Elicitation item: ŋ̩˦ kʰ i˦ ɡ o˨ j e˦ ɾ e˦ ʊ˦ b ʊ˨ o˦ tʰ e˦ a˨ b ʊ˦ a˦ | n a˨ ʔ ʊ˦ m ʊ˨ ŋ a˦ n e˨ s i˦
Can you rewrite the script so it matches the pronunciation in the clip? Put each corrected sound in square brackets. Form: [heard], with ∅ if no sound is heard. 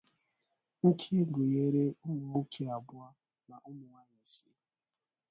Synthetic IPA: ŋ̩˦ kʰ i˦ ɡ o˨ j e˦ ɾ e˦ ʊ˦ [m] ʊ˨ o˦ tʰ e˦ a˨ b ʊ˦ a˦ | n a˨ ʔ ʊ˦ m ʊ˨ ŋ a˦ [ɲ] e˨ s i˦